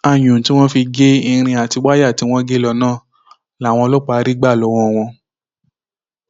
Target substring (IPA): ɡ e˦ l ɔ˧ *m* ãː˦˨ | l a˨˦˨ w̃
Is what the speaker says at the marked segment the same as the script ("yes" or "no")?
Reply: no